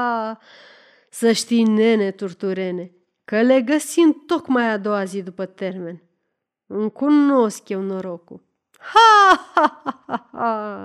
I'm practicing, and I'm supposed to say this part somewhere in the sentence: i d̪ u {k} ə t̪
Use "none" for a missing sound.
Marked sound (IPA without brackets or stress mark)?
p